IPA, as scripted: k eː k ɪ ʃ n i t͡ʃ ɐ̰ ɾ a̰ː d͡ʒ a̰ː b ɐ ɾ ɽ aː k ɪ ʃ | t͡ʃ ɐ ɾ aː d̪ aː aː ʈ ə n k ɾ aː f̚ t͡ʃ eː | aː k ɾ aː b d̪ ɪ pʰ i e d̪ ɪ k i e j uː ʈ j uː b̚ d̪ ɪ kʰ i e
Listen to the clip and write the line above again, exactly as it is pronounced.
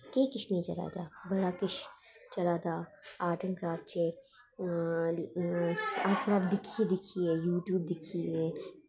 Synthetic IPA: k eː k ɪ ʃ n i t͡ʃ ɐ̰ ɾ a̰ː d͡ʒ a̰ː b ɐ ɽ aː k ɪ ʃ | t͡ʃ ɐ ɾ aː d̪ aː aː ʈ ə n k ɾ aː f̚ t͡ʃ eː | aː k ɾ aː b d̪ ɪ kʰ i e d̪ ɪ kʰ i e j uː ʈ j uː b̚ d̪ ɪ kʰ i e